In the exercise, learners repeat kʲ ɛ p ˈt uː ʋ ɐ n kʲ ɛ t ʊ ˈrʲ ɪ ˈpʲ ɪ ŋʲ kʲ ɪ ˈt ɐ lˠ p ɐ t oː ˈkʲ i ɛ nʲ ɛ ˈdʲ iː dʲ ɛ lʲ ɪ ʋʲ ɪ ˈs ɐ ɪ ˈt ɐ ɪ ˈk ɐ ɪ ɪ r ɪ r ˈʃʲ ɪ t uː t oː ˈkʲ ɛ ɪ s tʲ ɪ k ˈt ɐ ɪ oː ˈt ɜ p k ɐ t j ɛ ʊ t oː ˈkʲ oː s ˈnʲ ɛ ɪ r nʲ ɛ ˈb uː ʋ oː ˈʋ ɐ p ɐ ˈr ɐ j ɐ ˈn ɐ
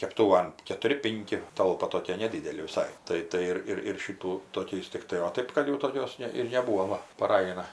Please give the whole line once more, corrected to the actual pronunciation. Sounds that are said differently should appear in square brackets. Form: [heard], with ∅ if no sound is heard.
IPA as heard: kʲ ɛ p ˈt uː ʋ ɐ n kʲ ɛ t ʊ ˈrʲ ɪ ˈpʲ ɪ ŋʲ kʲ ɪ ˈt ɐ lˠ p ɐ t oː ˈkʲ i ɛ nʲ ɛ ˈdʲ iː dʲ ɛ lʲ ɪ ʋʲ ɪ ˈs ɐ ɪ ˈt ɐ ɪ [ˈt] ɐ ɪ ɪ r ɪ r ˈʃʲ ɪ t uː t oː ˈkʲ ɛ ɪ s tʲ ɪ k ˈt ɐ ɪ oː ˈt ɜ p k ɐ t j ɛ ʊ t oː ˈkʲ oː s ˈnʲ ɛ ɪ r nʲ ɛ ˈb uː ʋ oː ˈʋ ɐ p ɐ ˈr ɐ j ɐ ˈn ɐ